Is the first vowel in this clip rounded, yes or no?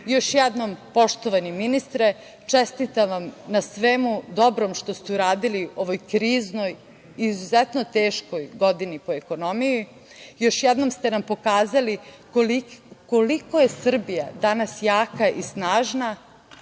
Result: yes